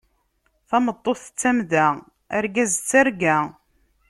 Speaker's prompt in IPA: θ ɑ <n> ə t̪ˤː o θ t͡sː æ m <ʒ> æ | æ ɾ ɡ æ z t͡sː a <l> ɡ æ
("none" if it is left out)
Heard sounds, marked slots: m, ð, ɾ

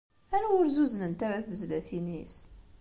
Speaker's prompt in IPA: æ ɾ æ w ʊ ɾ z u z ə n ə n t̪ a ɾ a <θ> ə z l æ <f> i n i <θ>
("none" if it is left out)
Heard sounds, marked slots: θ, θ, s

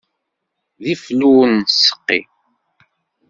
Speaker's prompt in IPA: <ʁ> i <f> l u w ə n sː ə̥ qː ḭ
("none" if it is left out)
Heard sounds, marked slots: ð, f

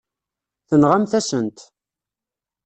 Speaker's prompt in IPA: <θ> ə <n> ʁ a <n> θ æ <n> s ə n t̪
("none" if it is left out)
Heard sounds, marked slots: θ, n, m, none

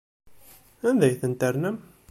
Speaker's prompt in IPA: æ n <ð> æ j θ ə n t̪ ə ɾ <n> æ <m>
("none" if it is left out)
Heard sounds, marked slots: ð, n, m

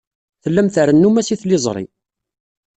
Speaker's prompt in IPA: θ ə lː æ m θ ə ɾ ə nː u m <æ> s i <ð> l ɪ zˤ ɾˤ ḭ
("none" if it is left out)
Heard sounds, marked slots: æ, θ

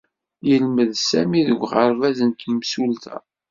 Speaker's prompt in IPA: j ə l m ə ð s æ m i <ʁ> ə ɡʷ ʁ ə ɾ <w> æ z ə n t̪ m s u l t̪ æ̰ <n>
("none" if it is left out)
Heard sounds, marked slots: ð, v, none

